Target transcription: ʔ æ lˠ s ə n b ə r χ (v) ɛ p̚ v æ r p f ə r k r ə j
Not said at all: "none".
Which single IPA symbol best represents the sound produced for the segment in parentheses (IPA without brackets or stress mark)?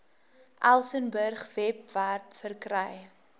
v